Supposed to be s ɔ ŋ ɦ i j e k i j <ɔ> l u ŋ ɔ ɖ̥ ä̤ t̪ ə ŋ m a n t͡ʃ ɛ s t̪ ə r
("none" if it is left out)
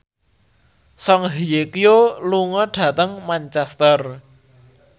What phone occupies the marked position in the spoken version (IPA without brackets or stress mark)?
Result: o